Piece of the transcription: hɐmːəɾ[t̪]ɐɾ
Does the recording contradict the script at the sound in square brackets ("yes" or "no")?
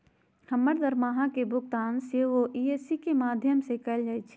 yes